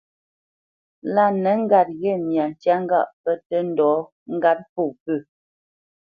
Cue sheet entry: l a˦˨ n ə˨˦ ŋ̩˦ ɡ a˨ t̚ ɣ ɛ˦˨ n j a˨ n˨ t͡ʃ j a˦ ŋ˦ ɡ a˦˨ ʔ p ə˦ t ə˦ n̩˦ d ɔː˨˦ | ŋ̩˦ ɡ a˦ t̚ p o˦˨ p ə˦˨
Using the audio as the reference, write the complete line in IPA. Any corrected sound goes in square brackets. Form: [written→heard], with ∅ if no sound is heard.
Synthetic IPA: l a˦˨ n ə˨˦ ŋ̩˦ ɡ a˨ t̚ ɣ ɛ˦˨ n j a˨ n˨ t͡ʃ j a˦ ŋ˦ ɡ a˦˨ ʔ p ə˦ t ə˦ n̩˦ d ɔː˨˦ | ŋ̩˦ ɡ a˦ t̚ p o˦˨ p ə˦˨